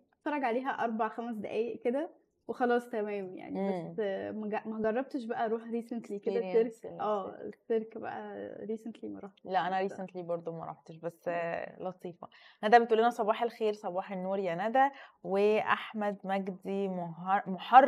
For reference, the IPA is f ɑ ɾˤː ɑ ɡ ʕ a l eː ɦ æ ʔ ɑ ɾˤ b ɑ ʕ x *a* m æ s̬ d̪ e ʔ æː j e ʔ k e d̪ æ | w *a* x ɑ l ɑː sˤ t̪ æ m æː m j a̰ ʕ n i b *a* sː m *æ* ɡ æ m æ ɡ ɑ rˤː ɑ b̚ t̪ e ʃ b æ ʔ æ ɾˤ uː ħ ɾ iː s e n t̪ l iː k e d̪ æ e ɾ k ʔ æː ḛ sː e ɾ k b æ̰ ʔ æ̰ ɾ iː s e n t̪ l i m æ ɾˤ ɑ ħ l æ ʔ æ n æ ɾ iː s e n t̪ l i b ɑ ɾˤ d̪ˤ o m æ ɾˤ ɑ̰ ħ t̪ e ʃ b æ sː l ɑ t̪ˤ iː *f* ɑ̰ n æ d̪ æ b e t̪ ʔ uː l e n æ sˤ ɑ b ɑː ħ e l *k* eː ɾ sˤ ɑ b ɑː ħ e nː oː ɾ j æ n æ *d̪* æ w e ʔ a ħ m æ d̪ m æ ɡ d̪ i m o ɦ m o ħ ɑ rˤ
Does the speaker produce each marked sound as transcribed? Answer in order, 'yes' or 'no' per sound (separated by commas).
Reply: no, no, no, yes, yes, no, yes